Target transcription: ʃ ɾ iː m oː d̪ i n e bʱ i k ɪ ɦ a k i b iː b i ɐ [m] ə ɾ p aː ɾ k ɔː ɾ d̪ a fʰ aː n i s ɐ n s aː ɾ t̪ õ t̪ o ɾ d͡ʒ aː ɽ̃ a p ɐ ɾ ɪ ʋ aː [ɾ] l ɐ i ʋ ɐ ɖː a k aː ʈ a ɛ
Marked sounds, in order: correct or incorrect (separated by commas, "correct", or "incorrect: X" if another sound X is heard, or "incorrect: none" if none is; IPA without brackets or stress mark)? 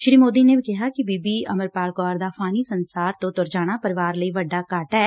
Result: correct, correct